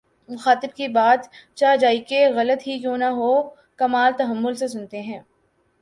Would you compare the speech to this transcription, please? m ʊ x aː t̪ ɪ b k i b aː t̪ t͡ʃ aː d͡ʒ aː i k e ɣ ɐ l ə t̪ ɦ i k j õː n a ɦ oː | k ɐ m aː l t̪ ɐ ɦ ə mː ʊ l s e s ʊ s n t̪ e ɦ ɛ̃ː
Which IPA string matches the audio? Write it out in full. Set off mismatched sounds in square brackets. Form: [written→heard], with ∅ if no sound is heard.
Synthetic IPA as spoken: m ʊ x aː t̪ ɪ b k i b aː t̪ t͡ʃ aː d͡ʒ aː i k e ɣ ɐ l ə t̪ ɦ i k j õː n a ɦ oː | k ɐ m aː l t̪ ɐ ɦ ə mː ʊ l s e s ʊ [s→∅] n t̪ e ɦ ɛ̃ː